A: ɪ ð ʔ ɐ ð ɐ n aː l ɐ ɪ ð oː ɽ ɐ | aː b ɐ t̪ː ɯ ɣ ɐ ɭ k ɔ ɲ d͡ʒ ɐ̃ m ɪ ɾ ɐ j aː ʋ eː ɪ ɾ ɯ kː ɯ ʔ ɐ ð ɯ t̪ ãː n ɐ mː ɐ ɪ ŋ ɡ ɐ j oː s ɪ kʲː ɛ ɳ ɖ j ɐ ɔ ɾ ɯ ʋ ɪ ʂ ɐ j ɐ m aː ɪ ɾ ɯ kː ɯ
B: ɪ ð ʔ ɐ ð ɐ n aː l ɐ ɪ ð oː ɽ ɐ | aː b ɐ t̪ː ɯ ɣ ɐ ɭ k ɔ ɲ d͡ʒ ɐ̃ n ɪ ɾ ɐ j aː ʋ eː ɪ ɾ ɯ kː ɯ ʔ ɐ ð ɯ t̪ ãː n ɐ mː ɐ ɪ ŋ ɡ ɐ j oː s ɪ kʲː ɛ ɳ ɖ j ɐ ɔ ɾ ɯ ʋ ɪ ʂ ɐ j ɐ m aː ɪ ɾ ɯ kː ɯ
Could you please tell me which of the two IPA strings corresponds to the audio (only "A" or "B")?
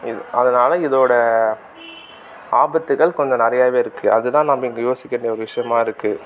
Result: B